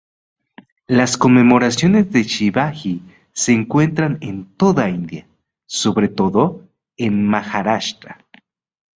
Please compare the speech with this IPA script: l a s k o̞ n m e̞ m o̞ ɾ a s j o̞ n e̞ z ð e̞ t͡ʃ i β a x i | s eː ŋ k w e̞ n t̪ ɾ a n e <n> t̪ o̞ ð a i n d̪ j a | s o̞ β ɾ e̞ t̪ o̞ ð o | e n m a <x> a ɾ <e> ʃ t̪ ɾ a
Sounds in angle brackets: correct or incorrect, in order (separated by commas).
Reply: correct, correct, incorrect